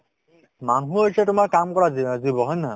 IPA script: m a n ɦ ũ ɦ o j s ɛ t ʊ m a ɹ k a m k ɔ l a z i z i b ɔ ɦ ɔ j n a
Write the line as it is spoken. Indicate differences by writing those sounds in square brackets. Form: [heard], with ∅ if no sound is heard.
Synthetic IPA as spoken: m a n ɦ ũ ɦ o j s ɛ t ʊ m a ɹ k a m k ɔ [ɹ] a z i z i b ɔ ɦ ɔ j n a

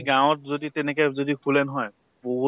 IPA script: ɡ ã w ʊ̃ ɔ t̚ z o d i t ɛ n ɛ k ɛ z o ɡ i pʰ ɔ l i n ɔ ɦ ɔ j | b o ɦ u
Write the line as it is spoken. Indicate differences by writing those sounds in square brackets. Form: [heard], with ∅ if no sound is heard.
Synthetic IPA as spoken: ɡ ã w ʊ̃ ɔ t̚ z o d i t ɛ n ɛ k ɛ z o [d] i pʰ [u] l [ɛ] n ɔ ɦ ɔ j | b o ɦ u

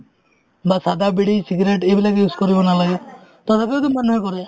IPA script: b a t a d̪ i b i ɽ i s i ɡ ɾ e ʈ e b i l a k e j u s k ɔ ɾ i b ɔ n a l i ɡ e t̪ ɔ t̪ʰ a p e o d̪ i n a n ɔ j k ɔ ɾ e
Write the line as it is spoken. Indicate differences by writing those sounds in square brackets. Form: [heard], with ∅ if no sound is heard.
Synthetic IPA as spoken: b a [s] a d̪ [a] b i ɽ i s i ɡ ɾ e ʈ e b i l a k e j u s k ɔ ɾ i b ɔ n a l [a] ɡ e t̪ ɔ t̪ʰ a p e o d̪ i [m] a n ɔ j k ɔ ɾ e

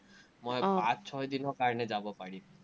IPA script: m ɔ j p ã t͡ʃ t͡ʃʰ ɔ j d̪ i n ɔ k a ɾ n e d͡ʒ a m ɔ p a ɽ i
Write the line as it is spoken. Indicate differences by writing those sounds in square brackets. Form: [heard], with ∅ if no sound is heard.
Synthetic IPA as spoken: m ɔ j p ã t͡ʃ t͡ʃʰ ɔ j d̪ i n ɔ k a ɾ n e d͡ʒ a [b] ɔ p a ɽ i

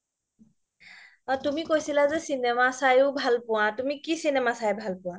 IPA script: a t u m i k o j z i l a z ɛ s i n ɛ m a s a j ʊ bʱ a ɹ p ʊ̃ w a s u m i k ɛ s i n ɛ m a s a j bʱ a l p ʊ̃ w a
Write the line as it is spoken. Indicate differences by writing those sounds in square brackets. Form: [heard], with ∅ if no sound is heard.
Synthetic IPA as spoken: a t u m i k o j [s] i l a z ɛ s i n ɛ m a s a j ʊ bʱ a [l] p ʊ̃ w a [t] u m i k [i] s i n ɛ m a s a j bʱ a l p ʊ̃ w a

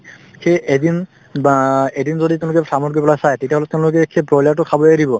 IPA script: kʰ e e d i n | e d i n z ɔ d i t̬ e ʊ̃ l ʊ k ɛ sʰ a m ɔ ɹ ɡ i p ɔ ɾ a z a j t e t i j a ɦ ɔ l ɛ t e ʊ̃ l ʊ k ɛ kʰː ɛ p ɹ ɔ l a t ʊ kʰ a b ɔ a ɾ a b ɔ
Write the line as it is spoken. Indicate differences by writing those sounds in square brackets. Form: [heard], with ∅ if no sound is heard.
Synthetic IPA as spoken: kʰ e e d i n | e d i n z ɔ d i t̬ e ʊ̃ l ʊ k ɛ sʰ a m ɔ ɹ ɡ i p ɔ [l] a [s] a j t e t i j a ɦ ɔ l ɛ t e ʊ̃ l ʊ k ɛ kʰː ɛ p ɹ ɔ l a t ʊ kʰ a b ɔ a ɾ [i] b ɔ

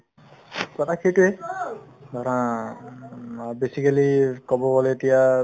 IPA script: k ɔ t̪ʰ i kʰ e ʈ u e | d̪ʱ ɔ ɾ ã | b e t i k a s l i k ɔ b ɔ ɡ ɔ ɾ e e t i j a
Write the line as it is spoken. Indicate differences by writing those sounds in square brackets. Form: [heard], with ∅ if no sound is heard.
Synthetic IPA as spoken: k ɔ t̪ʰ [a] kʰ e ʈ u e | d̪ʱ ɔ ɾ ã | b e [s] i k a [∅] l i k ɔ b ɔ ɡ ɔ [l] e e t i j a

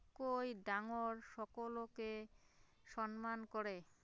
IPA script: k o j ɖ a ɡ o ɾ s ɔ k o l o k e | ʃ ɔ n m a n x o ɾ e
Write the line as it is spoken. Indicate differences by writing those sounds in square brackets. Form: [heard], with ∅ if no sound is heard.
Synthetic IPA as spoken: k o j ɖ a [ŋ] o ɾ [ʃ] ɔ k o l o k e | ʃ ɔ n m a n [k] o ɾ e

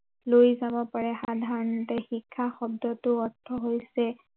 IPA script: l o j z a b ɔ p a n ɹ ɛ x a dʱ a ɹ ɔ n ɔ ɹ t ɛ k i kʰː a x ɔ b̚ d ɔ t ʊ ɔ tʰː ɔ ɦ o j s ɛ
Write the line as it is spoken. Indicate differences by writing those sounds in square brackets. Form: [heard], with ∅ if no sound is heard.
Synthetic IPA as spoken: l o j z a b ɔ p a [∅] ɹ ɛ x a dʱ a ɹ ɔ n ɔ [∅] t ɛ [x] i kʰː a x ɔ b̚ d ɔ t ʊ ɔ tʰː ɔ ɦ o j s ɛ

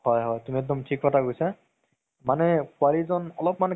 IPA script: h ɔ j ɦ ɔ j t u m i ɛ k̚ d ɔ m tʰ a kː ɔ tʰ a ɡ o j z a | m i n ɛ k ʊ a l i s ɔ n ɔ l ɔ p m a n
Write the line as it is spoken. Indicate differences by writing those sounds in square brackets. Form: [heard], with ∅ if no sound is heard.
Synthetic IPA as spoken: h ɔ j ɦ ɔ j t u m i ɛ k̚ d ɔ m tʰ [i] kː ɔ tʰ a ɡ o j [s] a | m [a] n ɛ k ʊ a l i [z] ɔ n ɔ l ɔ p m a n

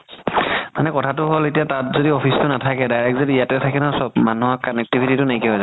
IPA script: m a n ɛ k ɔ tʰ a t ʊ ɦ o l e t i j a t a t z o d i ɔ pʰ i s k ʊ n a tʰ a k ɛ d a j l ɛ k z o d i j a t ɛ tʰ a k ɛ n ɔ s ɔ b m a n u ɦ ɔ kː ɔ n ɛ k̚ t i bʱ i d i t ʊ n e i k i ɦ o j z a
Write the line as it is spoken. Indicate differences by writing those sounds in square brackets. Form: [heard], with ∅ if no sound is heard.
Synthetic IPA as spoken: m a n ɛ k ɔ tʰ a t ʊ ɦ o l e t i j a t a t z o d i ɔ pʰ i s [t] ʊ n a tʰ a k ɛ d a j [ɹ] ɛ k z o d i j a t ɛ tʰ a k ɛ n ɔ s ɔ b m a n u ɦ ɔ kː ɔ n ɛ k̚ t i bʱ i [t] i t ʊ n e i k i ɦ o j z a

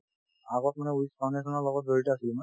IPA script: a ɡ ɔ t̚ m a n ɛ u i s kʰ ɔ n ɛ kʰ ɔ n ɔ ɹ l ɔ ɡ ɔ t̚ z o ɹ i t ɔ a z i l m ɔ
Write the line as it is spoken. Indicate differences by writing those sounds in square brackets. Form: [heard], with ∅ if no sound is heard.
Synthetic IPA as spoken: a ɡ ɔ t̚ m a n ɛ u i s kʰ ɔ n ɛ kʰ ɔ n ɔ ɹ l ɔ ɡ ɔ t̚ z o ɹ i t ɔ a [s] i l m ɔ

